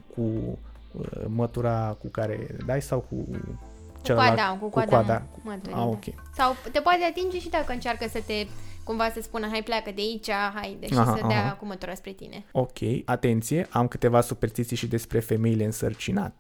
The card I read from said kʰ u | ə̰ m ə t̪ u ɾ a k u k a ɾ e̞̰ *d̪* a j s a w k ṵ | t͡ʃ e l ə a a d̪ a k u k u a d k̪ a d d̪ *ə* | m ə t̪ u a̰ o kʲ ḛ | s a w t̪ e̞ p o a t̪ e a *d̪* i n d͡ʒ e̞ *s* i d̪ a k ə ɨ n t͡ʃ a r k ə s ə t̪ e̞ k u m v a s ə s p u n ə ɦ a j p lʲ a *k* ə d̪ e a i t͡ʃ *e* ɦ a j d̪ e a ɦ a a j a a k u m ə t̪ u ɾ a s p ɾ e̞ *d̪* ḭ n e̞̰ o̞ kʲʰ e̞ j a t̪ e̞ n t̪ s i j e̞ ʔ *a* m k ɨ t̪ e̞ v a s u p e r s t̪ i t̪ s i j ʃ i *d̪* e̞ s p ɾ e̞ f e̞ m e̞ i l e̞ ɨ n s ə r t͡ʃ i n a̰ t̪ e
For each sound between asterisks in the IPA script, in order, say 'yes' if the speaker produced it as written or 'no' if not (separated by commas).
yes, no, no, no, yes, no, no, yes, yes